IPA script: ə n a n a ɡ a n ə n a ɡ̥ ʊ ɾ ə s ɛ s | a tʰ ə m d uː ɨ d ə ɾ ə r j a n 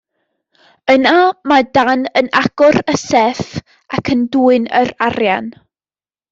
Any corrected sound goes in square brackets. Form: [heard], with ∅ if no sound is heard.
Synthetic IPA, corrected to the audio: ə n a [m] a [d] a n ə n a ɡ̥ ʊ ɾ ə s ɛ [f] | a [kʰ] ə [n] d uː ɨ [n] ə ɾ [a] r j a n